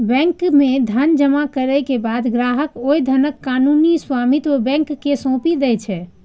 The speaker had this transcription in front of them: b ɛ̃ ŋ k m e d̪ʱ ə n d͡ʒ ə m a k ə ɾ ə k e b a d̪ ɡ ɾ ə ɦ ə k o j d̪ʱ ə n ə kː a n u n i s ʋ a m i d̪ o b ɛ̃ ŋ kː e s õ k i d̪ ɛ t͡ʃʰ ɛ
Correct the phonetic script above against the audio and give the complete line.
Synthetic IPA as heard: b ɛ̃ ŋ k m e d̪ʱ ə n d͡ʒ ə m a k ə ɾ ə k e b a d̪ ɡ ɾ a ɦ ə k o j d̪ʱ ə n ə kː a n u n i s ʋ a m i t̪ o b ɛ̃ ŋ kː e s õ p i d̪ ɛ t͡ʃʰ ɛ